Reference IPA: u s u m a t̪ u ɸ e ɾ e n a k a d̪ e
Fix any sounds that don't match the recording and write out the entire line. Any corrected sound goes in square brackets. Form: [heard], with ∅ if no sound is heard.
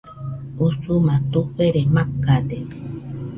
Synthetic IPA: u s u m a t̪ u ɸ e ɾ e [m] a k a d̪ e